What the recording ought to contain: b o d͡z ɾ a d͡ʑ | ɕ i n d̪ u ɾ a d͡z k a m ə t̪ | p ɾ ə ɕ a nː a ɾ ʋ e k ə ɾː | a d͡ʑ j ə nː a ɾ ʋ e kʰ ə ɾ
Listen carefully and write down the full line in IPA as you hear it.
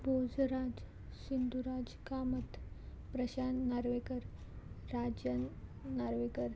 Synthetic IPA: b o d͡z ɾ a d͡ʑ | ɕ i n d̪ u ɾ a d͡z k a m ə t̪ | p ɾ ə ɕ a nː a ɾ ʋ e k ə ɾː | a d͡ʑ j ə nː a ɾ ʋ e k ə ɾ

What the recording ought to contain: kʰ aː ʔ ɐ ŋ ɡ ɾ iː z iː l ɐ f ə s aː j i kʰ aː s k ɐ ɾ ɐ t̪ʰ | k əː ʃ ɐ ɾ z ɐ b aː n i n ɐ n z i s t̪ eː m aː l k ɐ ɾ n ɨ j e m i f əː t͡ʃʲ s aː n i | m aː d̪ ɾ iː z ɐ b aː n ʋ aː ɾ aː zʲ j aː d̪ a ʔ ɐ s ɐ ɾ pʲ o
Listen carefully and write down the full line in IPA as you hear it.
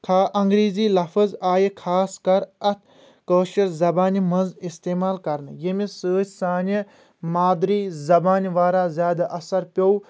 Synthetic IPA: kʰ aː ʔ ɐ ŋ ɡ ɾ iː z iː l ɐ f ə z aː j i kʰ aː s k ɐ ɾ ɐ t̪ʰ | k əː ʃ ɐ ɾ z ɐ b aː n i m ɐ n z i s t̪ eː m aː l k ɐ ɾ n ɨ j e m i s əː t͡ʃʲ s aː n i | m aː d̪ ɾ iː z ɐ b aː n ʋ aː ɾ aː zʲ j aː d̪ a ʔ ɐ s ɐ ɾ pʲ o

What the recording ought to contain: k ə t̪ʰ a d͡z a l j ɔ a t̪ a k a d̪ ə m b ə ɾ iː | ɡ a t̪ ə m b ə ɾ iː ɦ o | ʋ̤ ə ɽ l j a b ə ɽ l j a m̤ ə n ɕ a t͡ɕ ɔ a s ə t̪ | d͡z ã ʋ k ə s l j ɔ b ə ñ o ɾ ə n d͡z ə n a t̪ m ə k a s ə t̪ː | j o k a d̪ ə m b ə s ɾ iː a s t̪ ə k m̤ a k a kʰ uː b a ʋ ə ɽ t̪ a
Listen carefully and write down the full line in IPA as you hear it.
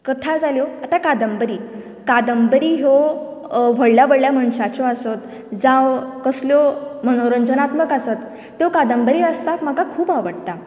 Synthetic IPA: k ə t̪ʰ a d͡z a l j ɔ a t̪ a k a d̪ ə m b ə ɾ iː | k a d̪ ə m b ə ɾ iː ɦ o | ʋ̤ ə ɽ l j a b ə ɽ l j a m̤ ə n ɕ a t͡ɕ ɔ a s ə t̪ | d͡z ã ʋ k ə s l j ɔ m ə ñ o ɾ ə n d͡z ə n a t̪ m ə k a s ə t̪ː | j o k a d̪ ə m b ə ɾ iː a s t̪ a k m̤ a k a kʰ uː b a ʋ ə ɽ t̪ a

